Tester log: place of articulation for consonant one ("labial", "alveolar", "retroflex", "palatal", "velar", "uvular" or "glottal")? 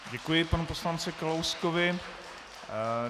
palatal